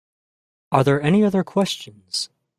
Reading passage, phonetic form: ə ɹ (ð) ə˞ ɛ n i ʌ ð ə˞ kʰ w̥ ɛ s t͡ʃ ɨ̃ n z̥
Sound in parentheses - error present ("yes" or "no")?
no